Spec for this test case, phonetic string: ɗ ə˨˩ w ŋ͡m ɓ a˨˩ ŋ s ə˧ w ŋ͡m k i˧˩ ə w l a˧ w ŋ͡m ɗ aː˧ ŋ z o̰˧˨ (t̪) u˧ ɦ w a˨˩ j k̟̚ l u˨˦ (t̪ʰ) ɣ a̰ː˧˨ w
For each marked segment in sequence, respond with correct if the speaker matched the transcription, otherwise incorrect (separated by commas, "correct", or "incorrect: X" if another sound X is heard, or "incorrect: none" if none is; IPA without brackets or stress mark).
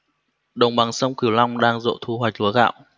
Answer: incorrect: t̪ʰ, incorrect: none